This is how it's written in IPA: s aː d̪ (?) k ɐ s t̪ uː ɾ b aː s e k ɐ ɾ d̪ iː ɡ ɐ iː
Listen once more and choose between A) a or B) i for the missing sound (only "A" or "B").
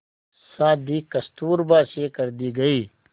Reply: B